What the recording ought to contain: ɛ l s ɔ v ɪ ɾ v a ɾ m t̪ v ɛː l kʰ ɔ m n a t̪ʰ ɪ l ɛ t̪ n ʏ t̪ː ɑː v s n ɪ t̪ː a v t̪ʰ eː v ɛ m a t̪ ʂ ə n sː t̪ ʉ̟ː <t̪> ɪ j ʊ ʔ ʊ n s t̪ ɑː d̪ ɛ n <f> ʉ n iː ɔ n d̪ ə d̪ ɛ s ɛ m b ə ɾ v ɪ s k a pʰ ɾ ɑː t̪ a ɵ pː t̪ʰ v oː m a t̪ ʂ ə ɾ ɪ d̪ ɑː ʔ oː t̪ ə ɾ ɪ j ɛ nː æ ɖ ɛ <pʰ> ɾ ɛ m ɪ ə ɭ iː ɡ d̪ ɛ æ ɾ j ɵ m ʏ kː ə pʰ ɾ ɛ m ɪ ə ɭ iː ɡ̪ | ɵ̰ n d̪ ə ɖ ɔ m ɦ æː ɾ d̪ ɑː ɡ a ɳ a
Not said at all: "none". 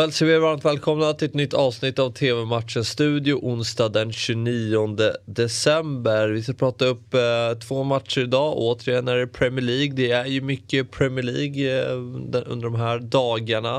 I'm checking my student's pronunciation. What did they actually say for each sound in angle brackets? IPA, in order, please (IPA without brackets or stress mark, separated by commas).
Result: d̪, ɕ, pʰ